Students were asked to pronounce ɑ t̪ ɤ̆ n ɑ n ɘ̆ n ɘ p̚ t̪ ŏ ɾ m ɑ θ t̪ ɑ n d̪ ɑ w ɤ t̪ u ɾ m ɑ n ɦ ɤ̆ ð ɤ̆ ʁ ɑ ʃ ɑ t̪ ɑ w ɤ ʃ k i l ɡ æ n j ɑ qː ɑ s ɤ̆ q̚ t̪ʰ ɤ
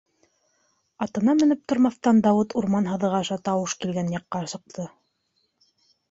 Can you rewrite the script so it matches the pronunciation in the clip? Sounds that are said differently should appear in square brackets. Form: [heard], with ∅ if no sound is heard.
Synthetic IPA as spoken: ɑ t̪ ɤ̆ n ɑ [m] ɘ̆ n ɘ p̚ t̪ ŏ ɾ m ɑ θ t̪ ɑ n d̪ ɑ w ɤ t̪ u ɾ m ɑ n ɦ ɤ̆ ð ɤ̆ ʁ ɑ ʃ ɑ t̪ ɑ w ɤ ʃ k i l ɡ æ n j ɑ qː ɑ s ɤ̆ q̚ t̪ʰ ɤ

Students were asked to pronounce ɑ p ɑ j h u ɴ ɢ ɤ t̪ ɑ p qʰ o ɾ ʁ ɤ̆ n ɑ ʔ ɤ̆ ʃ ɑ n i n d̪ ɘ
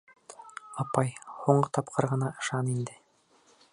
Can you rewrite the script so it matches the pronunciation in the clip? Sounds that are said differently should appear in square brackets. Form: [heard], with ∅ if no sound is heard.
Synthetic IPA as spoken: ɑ p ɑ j h u ɴ ɢ ɤ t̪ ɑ p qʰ [ɤ] ɾ ʁ ɤ̆ n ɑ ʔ ɤ̆ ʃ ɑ n i n d̪ ɘ

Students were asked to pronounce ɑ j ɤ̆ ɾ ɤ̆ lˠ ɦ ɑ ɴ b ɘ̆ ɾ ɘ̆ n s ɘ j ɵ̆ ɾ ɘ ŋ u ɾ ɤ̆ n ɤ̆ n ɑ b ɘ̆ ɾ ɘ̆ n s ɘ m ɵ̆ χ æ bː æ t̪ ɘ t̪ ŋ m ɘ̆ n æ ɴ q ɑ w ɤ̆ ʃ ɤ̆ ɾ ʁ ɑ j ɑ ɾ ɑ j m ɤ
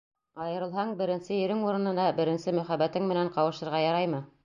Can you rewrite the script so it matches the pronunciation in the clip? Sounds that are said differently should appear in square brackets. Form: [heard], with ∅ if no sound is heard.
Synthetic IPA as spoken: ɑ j ɤ̆ ɾ ɤ̆ lˠ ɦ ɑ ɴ b ɘ̆ ɾ ɘ̆ n s ɘ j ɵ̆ ɾ ɘ ŋ u ɾ ɤ̆ n ɤ̆ n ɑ b ɘ̆ ɾ ɘ̆ n s ɘ m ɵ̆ χ æ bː æ t̪ ɘ [∅] ŋ m ɘ̆ n æ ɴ q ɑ w ɤ̆ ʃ ɤ̆ ɾ ʁ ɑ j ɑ ɾ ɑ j m ɤ

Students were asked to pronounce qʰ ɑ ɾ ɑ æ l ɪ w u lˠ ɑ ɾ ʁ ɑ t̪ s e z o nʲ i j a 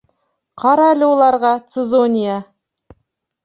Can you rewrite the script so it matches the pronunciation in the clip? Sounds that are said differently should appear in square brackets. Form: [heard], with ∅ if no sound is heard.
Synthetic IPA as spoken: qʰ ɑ ɾ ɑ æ l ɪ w [o] lˠ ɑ ɾ ʁ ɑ t̪ s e z o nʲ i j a

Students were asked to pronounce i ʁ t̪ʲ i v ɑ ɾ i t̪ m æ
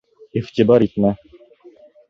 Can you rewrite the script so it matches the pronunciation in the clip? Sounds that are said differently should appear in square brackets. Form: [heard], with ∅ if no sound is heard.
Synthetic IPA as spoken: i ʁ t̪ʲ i [b] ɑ ɾ i t̪ m æ

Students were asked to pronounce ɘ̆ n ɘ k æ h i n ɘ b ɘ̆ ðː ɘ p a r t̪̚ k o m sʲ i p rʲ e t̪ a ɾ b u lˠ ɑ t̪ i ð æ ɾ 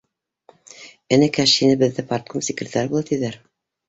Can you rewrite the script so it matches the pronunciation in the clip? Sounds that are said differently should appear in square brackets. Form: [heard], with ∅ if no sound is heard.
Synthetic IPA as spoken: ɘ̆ n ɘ k æ [ʃ] i n ɘ b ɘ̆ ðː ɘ p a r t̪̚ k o m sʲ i [k] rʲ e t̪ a ɾ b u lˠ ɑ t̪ i ð æ ɾ

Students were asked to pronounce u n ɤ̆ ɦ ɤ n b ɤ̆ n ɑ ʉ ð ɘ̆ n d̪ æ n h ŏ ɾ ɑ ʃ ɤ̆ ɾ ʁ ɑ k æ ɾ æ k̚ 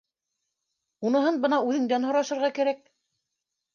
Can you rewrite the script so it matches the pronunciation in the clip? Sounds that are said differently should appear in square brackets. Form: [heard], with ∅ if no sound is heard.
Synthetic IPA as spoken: u n ɤ̆ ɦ ɤ n b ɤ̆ n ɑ ʉ ð ɘ̆ [ŋ] d̪ æ n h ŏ ɾ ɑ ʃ ɤ̆ ɾ ʁ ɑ k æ ɾ æ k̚

